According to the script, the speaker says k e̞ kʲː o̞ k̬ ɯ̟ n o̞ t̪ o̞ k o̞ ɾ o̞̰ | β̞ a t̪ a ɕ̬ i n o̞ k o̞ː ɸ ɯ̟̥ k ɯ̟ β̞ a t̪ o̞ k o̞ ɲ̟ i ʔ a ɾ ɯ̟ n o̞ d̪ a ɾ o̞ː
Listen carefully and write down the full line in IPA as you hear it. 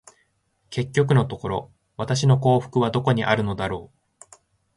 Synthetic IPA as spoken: k e̞ kʲː o̞ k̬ ɯ̟ n o̞ t̪ o̞ k o̞ ɾ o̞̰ | β̞ a t̪ a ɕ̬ i n o̞ k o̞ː ɸ ɯ̟̥ k ɯ̟ β̞ a d̪ o̞ k o̞ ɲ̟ i ʔ a ɾ ɯ̟ n o̞ d̪ a ɾ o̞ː